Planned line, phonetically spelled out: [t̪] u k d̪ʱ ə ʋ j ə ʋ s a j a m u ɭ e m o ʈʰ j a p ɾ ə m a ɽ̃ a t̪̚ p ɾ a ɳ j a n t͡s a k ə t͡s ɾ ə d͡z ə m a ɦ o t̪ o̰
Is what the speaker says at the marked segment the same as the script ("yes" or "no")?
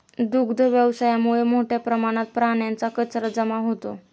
no